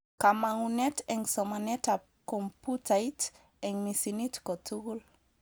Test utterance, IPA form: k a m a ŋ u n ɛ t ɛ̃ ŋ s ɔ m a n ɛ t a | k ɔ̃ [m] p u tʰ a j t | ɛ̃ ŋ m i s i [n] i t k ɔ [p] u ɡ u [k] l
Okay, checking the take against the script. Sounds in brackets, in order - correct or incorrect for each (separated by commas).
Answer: correct, correct, incorrect, incorrect